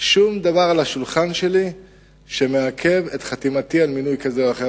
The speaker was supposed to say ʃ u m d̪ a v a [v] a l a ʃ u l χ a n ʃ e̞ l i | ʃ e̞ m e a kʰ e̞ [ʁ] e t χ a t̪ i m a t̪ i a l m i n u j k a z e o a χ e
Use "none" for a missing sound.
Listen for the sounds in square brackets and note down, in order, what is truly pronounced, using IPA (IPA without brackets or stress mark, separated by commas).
ʁ, v